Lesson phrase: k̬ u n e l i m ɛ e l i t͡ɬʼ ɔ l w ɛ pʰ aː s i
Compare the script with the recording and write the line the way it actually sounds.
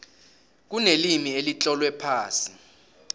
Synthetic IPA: k̬ u n e l i m i e l i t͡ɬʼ ɔ l w ɛ pʰ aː s i